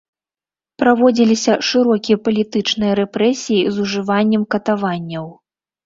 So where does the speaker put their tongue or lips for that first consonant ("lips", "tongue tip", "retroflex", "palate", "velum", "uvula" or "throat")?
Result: lips